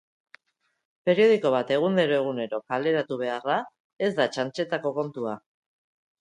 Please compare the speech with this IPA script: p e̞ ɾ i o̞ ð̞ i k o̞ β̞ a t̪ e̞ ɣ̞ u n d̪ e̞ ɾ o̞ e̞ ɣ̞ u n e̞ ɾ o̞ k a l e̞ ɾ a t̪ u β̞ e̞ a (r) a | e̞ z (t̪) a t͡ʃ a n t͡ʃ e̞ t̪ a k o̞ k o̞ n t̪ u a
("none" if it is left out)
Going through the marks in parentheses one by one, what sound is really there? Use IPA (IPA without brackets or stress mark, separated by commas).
r, d̪